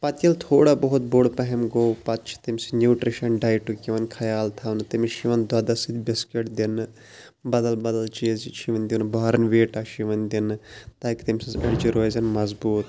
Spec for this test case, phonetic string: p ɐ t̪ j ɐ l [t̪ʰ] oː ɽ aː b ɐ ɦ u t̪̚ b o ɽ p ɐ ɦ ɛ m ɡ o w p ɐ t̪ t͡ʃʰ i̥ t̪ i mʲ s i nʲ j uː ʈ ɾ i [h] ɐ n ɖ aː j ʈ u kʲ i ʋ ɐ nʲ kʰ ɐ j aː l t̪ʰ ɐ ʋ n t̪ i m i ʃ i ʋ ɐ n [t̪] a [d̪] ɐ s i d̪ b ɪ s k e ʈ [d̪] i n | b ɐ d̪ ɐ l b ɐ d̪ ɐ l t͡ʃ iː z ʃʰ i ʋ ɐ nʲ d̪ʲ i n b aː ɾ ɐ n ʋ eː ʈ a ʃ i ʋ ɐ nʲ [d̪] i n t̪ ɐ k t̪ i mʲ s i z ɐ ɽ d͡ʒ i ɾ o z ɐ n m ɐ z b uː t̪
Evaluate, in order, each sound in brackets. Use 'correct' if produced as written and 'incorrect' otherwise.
correct, incorrect: ʃ, incorrect: d̪, correct, correct, correct

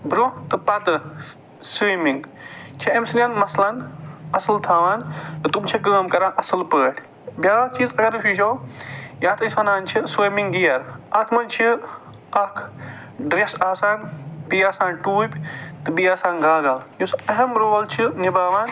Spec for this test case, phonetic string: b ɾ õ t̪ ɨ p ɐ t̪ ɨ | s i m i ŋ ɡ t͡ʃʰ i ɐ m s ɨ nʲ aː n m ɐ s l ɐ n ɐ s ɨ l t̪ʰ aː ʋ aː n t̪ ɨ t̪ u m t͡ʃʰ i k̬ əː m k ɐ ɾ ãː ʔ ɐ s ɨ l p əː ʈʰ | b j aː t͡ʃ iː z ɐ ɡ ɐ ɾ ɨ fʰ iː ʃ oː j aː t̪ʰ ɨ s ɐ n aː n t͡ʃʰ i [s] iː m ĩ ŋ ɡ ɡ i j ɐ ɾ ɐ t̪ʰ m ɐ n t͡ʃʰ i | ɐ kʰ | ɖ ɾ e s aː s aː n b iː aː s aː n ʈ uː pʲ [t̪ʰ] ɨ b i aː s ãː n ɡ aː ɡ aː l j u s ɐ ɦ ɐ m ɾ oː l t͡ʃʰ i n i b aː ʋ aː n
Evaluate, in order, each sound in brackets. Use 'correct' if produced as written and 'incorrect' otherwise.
correct, incorrect: t̪

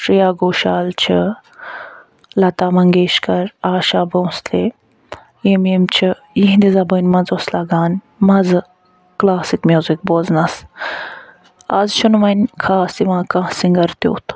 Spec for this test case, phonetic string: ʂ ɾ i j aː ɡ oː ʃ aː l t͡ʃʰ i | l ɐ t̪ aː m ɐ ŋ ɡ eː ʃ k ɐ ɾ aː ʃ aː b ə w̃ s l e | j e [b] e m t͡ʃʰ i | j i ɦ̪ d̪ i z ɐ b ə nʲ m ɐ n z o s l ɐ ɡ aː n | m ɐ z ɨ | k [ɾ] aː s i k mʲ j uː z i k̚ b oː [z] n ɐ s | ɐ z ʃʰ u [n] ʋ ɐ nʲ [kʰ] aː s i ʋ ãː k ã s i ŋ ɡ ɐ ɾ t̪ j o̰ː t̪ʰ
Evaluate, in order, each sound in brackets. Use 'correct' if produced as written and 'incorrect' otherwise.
incorrect: m, incorrect: l, correct, correct, correct

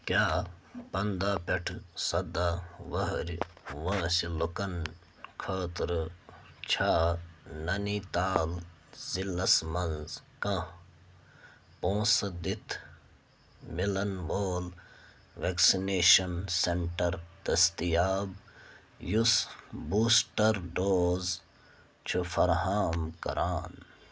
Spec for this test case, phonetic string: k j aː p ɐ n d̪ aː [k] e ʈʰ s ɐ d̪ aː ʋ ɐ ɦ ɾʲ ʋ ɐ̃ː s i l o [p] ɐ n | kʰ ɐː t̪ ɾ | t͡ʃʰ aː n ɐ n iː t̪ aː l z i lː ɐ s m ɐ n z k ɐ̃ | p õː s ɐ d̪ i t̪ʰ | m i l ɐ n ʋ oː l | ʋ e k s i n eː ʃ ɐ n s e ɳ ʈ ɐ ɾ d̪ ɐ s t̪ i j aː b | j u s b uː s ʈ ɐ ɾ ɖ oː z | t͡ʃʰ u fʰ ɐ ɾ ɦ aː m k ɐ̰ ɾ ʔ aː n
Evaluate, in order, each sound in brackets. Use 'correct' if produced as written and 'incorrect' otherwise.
incorrect: p, incorrect: k

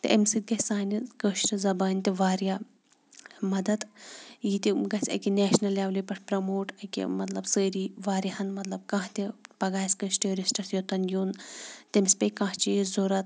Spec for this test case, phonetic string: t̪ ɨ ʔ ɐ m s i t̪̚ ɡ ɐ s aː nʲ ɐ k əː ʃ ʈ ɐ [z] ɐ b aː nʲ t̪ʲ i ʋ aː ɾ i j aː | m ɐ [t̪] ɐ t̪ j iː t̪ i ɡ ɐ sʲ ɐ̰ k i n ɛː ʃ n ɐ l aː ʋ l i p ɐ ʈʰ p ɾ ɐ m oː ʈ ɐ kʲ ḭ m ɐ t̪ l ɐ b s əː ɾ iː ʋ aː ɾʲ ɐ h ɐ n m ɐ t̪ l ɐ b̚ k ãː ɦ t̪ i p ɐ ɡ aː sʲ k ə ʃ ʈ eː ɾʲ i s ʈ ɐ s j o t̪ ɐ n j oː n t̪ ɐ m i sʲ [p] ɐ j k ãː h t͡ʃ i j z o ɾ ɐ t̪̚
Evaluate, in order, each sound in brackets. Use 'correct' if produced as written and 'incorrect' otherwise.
correct, incorrect: d̪, correct

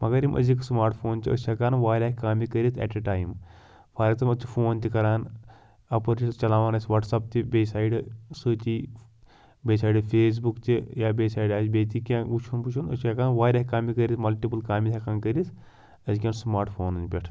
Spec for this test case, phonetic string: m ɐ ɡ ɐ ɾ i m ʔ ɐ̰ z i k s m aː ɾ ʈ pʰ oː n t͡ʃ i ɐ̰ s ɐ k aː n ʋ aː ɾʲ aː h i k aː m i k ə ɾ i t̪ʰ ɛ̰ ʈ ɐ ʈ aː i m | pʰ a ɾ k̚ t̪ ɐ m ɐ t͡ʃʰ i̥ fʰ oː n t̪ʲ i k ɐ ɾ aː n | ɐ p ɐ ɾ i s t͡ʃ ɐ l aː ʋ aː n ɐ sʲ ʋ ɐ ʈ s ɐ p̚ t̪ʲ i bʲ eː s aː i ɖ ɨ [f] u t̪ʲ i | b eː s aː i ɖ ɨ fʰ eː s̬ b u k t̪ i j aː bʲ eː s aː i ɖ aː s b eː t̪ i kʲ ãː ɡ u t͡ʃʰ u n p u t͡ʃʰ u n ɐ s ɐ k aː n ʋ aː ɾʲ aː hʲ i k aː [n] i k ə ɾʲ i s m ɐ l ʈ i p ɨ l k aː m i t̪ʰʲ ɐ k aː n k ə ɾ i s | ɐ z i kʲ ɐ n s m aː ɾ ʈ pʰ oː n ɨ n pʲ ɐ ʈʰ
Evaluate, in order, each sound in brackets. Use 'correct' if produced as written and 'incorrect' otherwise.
incorrect: s, incorrect: m

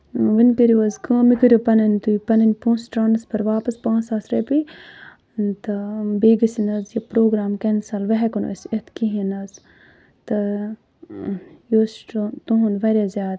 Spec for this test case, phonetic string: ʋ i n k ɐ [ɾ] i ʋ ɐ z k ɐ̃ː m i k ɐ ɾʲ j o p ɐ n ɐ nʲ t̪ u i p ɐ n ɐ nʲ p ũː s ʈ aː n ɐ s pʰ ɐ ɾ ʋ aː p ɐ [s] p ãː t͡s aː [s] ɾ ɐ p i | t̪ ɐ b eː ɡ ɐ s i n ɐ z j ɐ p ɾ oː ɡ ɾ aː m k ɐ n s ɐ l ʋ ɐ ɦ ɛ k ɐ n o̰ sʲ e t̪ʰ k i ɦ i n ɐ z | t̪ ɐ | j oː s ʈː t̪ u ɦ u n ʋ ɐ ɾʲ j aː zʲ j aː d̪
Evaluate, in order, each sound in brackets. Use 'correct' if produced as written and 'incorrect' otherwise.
correct, correct, correct

